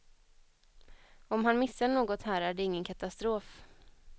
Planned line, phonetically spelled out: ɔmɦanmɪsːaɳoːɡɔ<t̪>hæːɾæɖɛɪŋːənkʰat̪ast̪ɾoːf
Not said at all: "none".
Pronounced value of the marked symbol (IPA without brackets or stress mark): t̪